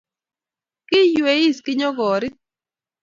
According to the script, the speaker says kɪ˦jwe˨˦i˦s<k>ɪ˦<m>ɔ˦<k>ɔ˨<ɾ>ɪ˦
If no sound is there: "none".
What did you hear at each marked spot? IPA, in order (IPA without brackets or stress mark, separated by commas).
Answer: k, ɲ, ɡ, ɾ